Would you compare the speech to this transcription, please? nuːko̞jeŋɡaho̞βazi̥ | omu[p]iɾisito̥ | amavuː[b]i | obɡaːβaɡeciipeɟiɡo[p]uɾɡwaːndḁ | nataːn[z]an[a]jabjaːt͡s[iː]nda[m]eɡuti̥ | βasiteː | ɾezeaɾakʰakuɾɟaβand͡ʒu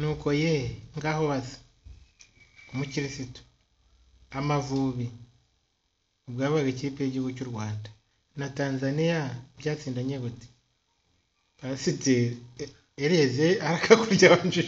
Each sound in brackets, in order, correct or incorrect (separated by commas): incorrect, incorrect, incorrect, correct, incorrect, correct, incorrect